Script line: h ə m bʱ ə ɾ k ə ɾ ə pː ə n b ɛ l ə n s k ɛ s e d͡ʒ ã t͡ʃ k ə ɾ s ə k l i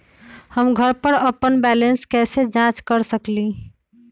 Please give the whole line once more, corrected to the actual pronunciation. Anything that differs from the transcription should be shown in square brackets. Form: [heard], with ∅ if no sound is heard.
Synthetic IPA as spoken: h ə m [ɡʱ] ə ɾ [p] ə ɾ ə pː ə n b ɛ l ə n s k ɛ s e d͡ʒ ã t͡ʃ k ə ɾ s ə k l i